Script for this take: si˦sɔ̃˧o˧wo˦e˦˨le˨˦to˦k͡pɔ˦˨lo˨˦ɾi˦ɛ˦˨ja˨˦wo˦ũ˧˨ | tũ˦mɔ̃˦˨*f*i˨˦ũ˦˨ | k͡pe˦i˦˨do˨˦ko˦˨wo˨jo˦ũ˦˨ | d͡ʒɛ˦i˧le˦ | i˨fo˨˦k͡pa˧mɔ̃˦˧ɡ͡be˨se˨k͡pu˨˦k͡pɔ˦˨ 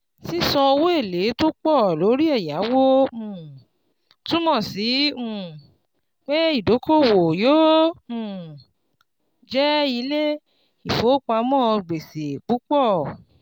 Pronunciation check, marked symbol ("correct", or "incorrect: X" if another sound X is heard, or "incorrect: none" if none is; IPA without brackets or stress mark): incorrect: s